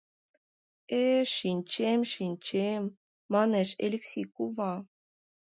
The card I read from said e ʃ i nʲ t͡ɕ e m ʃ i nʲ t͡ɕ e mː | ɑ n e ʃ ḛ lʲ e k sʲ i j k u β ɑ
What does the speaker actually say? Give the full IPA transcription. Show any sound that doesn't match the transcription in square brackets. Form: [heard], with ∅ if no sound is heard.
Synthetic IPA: e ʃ i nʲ t͡ɕ e m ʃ i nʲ t͡ɕ e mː | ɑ n e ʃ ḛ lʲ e k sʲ i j k u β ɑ

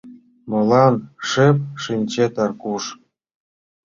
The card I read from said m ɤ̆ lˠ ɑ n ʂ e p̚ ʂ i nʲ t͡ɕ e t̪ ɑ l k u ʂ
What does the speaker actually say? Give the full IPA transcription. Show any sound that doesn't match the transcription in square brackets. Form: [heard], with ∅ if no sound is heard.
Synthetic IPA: m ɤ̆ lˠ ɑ n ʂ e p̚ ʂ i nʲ t͡ɕ e t̪ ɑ [r] k u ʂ

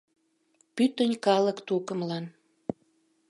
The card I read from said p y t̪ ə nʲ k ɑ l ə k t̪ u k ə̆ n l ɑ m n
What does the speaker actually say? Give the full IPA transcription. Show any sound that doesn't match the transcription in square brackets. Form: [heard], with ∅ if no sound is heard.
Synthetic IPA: p y t̪ ə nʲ k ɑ l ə k t̪ u k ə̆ [m] l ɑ [∅] n

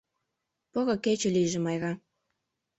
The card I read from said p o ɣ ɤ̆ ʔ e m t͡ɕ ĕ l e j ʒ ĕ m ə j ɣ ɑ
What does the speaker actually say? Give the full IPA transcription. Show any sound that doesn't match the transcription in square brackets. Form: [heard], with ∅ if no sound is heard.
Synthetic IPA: p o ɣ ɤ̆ [k] e [∅] t͡ɕ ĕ l [i] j ʒ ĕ m [ɑ] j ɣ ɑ

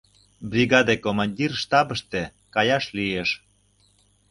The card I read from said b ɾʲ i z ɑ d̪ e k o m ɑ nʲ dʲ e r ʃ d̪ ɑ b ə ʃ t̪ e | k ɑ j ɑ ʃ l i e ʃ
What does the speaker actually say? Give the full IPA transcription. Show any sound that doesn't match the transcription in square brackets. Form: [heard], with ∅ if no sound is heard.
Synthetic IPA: b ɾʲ i [ɣ] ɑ d̪ e k o m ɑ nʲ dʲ [i] r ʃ [t̪] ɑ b ə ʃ t̪ e | k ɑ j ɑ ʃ l i e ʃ

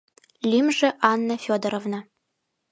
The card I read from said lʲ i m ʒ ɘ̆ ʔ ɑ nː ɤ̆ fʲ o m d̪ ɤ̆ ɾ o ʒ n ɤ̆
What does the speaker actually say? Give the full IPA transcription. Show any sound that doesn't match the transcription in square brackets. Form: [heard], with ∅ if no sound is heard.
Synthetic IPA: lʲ i m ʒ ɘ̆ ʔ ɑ nː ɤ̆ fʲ o [∅] d̪ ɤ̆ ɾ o [v] n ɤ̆

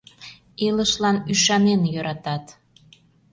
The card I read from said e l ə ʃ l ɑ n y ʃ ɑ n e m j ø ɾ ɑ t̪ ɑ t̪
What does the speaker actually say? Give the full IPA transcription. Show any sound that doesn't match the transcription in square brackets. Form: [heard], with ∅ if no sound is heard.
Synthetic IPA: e l ə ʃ l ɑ n y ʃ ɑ n e [n] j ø ɾ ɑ t̪ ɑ t̪

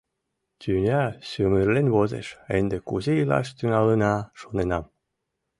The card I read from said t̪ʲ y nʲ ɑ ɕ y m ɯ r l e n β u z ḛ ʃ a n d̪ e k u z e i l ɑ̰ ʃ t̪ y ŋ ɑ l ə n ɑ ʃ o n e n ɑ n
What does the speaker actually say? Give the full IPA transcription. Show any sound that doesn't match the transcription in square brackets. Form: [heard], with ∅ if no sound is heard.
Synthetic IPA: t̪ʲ y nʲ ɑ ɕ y m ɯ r l e n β [o] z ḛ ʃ [e] n d̪ e k u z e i l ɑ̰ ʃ t̪ y ŋ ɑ l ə n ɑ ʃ o n e n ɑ [m]

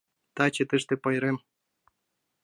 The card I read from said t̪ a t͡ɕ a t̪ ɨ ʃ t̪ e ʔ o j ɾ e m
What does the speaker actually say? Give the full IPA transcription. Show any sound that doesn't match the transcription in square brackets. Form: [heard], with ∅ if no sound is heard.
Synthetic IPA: t̪ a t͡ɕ [e] t̪ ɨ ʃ t̪ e [p] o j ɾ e m

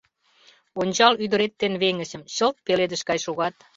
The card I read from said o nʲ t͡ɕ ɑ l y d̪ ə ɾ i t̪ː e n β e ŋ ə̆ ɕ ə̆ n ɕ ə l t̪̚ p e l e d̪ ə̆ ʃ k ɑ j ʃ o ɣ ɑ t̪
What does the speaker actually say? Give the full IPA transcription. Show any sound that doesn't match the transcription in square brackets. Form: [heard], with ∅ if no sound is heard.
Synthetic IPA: o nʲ t͡ɕ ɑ l y d̪ ə ɾ [e] t̪ː e n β e ŋ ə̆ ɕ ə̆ [m] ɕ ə l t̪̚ p e l e d̪ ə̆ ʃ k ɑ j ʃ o ɣ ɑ t̪

